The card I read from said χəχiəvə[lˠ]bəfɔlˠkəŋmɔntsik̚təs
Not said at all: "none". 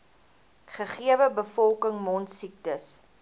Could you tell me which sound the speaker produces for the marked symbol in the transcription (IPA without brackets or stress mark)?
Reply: none